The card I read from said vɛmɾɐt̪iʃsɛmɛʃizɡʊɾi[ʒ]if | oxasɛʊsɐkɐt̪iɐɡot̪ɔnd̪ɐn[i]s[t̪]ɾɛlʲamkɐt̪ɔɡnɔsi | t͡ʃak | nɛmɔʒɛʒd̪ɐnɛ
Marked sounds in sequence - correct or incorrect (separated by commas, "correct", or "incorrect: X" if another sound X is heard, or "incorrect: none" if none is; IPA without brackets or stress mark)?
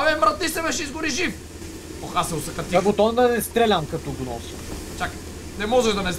correct, incorrect: ɛ, correct